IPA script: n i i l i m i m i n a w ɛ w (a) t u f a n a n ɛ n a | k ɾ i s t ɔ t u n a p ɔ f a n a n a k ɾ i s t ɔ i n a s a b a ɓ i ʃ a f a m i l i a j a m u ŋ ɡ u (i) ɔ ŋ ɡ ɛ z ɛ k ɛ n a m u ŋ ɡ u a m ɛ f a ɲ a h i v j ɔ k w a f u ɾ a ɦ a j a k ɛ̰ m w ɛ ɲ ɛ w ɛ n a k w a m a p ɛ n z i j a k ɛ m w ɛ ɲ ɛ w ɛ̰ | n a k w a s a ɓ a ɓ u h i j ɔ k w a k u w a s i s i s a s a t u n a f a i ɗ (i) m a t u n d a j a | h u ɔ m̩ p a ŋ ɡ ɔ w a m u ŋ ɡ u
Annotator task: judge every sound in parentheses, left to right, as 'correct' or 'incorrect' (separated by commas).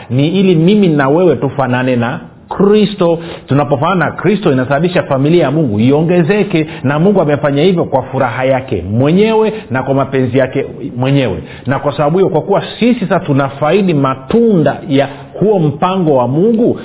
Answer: incorrect, correct, correct